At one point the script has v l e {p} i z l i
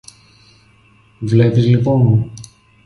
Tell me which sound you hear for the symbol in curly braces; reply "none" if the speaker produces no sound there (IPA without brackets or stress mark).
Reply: p